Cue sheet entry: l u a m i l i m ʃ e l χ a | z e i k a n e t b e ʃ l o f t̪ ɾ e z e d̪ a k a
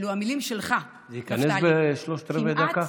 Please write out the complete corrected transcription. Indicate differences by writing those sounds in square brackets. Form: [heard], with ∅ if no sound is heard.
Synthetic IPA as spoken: l u a m i l i m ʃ e l χ a | z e i k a n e [s] b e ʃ l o [ʃ] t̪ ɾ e [v] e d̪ a k a